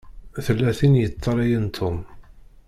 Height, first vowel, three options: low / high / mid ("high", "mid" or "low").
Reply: mid